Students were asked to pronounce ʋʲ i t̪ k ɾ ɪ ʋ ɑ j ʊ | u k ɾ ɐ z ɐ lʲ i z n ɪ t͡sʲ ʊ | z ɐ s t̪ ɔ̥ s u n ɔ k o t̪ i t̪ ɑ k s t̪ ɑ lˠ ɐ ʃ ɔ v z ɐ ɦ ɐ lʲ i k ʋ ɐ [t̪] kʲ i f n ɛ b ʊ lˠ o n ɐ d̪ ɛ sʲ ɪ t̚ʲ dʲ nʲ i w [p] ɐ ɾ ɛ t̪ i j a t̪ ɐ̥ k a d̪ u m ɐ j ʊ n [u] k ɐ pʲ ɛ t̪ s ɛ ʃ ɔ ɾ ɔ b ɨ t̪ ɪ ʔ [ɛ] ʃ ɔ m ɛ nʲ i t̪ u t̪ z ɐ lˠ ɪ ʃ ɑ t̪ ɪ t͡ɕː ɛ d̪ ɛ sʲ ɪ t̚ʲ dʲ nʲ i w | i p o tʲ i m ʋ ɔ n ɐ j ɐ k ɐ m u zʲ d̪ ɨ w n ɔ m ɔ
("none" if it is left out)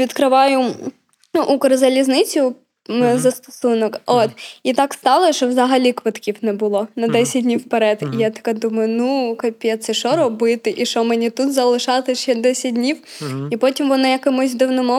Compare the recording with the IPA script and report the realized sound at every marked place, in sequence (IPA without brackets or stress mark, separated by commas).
t̪, p, u, i